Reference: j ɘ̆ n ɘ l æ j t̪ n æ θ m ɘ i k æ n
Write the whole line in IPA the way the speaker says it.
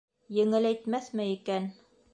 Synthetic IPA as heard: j ɘ̆ ŋ ɘ l æ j t̪ m æ θ m ɘ i k æ n